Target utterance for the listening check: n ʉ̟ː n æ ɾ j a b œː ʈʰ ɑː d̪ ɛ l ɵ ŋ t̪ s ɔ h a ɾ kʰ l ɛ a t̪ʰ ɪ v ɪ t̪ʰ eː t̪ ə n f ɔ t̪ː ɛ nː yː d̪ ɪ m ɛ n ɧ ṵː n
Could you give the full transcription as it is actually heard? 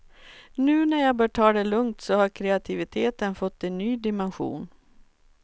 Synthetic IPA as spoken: n ʉ̟ː n æ ɾ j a b œː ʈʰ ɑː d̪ ɛ l ɵ ŋ t̪ s ɔ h a ɾ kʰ ɾ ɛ a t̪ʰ ɪ v ɪ t̪ʰ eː t̪ ə n f ɔ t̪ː ɛ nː yː d̪ ɪ m ɛ n ɧ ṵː n